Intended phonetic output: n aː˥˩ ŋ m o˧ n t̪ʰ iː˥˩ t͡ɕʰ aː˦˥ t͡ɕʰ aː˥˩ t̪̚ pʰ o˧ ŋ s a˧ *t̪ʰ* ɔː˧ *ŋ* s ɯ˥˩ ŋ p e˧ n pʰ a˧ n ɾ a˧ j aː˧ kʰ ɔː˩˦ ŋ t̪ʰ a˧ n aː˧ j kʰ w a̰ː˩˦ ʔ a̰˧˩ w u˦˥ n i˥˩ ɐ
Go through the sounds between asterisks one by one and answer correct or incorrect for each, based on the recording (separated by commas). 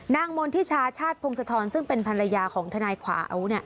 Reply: correct, incorrect